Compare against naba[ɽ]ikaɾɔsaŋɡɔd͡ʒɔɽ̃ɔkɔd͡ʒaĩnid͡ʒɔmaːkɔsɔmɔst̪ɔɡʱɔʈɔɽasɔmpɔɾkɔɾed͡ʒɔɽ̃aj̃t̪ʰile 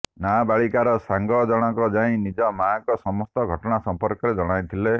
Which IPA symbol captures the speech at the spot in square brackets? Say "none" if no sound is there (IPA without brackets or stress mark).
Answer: ɭ